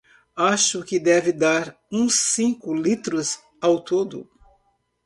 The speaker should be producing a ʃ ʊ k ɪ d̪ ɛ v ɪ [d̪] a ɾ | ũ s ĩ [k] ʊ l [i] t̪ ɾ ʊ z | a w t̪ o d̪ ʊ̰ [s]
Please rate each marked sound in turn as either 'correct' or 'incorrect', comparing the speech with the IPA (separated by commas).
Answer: correct, correct, correct, incorrect